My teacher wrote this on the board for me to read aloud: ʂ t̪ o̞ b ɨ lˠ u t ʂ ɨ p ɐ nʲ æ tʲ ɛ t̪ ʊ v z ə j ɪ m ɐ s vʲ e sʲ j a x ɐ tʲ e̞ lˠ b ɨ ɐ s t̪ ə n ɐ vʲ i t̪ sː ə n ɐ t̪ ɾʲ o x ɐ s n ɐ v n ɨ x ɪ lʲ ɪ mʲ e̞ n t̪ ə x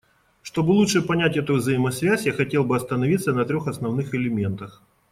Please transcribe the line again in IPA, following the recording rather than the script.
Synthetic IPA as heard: ʂ t̪ o̞ b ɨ lˠ u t ʂ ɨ p ɐ nʲ æ tʲ ɛ t̪ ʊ v z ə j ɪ m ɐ s vʲ æ sʲ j a x ɐ tʲ e̞ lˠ b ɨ ɐ s t̪ ə n ɐ vʲ i t̪ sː ə n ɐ t̪ ɾʲ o x ɐ s n ɐ v n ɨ x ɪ lʲ ɪ mʲ e̞ n t̪ ə x